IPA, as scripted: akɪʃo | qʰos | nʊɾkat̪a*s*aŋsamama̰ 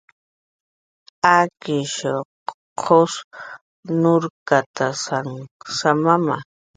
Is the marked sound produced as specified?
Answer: yes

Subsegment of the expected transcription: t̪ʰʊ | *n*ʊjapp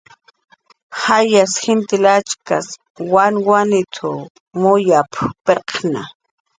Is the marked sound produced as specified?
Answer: no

